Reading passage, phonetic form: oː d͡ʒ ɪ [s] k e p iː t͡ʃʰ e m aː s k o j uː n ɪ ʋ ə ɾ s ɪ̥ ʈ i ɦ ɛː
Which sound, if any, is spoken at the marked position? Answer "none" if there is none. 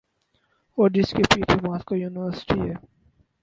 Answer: s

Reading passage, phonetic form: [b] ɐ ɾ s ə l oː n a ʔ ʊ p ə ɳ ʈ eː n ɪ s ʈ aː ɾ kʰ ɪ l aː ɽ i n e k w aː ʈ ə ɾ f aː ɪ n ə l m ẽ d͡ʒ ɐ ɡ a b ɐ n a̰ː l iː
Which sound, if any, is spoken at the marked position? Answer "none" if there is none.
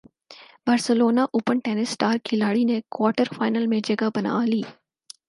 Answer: b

